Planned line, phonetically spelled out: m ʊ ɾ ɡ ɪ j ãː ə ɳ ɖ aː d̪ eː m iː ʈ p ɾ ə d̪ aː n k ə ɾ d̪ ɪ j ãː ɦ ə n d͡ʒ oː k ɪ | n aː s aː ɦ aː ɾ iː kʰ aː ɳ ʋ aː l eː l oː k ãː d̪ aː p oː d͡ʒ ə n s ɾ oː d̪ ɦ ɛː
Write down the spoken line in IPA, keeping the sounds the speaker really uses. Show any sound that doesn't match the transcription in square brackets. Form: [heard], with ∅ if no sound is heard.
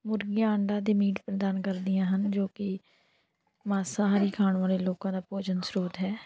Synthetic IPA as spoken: m ʊ ɾ ɡ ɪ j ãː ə ɳ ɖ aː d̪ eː m iː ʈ p ɾ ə d̪ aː n k ə ɾ d̪ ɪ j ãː ɦ ə n d͡ʒ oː k ɪ | [m] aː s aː ɦ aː ɾ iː kʰ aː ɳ ʋ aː l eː l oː k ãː d̪ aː p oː d͡ʒ ə n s ɾ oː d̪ ɦ ɛː

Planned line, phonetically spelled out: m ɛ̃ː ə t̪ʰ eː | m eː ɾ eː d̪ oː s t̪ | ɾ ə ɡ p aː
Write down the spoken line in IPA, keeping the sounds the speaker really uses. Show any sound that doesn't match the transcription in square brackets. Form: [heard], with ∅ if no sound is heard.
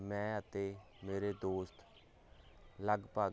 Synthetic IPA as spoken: m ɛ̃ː ə [t̪] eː | m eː ɾ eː d̪ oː s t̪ | [l] ə ɡ p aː

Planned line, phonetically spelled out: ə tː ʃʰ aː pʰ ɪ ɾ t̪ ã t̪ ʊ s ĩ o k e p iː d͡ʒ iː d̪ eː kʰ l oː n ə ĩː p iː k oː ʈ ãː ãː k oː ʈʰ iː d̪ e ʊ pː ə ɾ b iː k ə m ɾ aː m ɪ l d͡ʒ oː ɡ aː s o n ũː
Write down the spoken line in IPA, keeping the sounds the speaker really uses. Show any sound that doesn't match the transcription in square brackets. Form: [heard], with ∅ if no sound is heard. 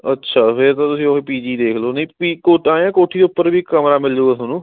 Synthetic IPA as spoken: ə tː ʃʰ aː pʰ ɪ ɾ t̪ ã t̪ ʊ s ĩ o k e p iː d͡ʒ iː d̪ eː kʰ l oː n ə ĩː p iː k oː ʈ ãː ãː k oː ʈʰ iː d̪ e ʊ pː ə ɾ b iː k ə m ɾ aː m ɪ l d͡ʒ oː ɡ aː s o n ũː

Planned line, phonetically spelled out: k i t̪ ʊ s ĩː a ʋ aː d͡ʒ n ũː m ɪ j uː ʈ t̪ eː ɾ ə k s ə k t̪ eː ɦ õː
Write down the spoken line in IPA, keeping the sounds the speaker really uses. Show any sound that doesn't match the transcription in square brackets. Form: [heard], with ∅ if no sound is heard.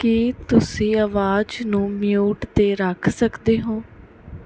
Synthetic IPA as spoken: k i t̪ ʊ s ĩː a ʋ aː d͡ʒ n ũː m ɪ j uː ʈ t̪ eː ɾ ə [kʰ] s ə k [d̪] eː ɦ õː

